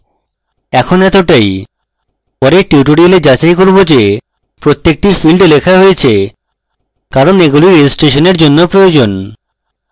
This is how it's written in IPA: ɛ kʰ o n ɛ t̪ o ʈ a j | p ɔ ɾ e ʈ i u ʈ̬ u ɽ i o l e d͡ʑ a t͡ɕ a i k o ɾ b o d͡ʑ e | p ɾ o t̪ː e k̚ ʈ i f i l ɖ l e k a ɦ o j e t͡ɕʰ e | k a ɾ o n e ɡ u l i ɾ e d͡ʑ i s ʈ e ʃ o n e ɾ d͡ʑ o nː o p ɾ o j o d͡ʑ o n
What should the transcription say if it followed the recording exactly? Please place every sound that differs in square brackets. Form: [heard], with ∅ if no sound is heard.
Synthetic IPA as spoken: ɛ kʰ o n ɛ t̪ o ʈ a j | p ɔ ɾ e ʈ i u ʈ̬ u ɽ i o l e d͡ʑ a t͡ɕ a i k o ɾ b o d͡ʑ e | p ɾ o t̪ː e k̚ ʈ i f i l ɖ l e [kʰ] a ɦ o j e t͡ɕʰ e | k a ɾ o n e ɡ u l i ɾ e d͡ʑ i s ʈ e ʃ o n e ɾ d͡ʑ o nː o p ɾ o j o d͡ʑ o n